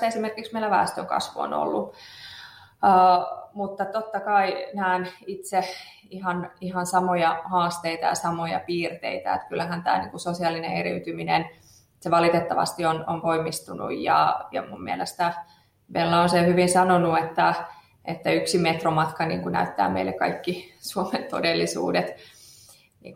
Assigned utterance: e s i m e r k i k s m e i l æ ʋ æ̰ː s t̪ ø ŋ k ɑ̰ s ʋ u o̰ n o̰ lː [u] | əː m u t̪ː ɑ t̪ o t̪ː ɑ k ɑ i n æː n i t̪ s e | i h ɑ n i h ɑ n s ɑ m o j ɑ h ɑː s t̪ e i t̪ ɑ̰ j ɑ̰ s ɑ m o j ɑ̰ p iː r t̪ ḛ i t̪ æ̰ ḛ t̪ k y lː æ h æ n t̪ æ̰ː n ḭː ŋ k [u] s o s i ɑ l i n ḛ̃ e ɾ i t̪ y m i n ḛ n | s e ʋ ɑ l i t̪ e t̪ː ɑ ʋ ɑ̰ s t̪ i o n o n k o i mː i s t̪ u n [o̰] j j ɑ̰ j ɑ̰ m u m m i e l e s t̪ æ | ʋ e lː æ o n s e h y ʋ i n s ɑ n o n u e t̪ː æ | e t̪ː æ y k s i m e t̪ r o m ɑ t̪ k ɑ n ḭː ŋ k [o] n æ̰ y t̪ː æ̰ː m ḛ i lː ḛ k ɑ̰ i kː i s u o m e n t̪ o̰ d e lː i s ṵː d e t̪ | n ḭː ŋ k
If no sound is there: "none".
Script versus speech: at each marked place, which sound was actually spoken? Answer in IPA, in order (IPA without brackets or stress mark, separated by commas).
u, u, ṵ, u